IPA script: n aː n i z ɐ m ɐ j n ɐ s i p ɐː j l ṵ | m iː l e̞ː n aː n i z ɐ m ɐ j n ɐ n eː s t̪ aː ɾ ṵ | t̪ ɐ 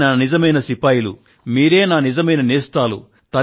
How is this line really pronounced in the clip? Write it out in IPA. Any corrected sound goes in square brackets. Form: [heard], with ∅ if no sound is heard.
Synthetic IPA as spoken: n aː n i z ɐ m ɐ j n ɐ s i p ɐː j l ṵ | m iː [ɾ] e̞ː n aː n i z ɐ m ɐ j n ɐ n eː s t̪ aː [l] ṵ | t̪ ɐ